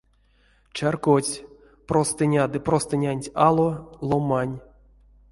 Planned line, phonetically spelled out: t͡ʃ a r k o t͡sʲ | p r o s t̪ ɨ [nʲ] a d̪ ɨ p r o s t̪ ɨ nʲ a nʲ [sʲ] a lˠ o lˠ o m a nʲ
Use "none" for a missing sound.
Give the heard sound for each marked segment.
nʲ, tʲ

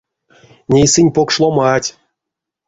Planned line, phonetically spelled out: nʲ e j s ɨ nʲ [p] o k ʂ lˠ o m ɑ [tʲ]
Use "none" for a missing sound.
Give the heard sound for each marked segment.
p, tʲ

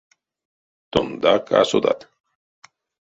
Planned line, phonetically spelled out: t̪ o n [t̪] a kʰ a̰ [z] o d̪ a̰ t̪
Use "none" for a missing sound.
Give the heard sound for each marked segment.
d̪, s

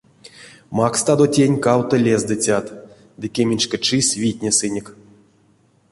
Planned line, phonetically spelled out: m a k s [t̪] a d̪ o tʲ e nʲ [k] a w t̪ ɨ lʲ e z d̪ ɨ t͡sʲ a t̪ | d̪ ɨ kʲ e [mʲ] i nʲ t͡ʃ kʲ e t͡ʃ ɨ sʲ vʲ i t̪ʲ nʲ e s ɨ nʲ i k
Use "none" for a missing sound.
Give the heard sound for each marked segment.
t̪, k, mʲ

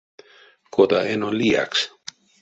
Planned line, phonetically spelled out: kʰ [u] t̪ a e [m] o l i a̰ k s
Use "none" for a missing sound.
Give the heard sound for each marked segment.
o, n

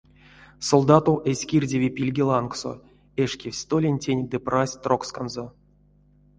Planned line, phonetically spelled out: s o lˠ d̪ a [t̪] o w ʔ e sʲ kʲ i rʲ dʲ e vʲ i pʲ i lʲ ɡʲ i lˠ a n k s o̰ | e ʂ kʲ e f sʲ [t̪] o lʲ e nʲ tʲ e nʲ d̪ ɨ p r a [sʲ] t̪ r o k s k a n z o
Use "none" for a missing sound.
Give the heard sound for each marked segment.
t̪, t̪, sʲ

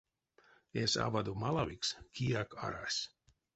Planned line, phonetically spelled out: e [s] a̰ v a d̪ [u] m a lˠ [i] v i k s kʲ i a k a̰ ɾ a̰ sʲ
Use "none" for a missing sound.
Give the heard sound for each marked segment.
s, u, a

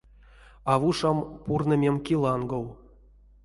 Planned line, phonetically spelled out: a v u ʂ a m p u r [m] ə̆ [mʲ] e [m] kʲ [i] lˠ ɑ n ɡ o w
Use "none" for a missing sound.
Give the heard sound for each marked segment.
n, mʲ, m, i

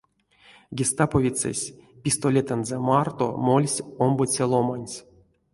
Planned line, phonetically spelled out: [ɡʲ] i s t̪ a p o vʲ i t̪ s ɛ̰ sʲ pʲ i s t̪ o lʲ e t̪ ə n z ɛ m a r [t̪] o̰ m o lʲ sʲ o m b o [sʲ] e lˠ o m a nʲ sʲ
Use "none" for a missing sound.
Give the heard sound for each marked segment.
ɡʲ, t̪, t͡sʲ

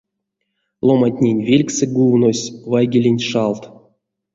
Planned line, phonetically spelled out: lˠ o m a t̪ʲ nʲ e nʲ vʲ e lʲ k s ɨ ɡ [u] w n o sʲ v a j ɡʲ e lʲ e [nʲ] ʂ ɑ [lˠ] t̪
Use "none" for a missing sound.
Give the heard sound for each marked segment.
u, nʲ, lˠ

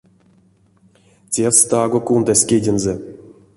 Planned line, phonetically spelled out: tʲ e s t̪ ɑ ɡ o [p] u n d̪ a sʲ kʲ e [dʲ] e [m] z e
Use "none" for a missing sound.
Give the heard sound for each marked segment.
k, dʲ, n

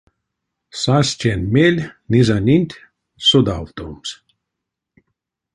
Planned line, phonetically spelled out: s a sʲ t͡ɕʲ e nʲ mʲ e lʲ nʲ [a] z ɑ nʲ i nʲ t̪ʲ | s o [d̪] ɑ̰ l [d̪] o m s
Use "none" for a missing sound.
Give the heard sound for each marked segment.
i, d̪, t̪

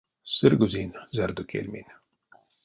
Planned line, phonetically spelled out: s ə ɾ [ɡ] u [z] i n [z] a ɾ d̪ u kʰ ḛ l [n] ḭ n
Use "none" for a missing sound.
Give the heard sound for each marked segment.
ɡ, z, z, m

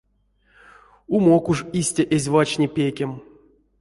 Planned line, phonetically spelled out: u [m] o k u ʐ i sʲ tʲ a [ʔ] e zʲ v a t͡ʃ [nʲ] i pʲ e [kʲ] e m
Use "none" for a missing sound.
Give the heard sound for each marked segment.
m, ʔ, nʲ, kʲ

